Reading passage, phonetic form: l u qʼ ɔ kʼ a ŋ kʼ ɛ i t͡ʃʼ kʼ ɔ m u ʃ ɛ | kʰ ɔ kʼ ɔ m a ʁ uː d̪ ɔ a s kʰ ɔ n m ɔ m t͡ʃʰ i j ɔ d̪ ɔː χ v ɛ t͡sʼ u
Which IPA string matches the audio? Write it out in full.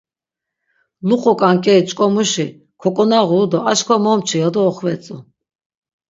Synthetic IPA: l u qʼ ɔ kʼ a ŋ kʼ ɛ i t͡ʃʼ kʼ ɔ m u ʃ i | kʰ ɔ kʼ ɔ n a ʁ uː d̪ ɔ a ʃ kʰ ɔ m ɔ m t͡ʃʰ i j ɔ d̪ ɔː χ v ɛ t͡sʼ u